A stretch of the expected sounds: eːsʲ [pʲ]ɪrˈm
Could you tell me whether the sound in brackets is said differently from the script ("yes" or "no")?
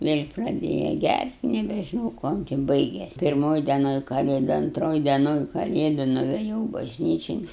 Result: no